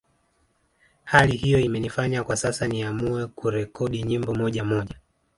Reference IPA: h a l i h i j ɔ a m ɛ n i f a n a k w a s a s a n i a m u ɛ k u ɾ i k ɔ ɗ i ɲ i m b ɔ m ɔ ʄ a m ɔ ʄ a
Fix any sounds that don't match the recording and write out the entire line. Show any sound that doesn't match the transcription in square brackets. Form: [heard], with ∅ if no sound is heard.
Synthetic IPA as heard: h a l i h i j ɔ [i] m ɛ n i f a [ɲ] a k w a s a s a n i a m u ɛ k u ɾ [ɛ] k ɔ ɗ i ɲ i m b ɔ m ɔ ʄ a m ɔ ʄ a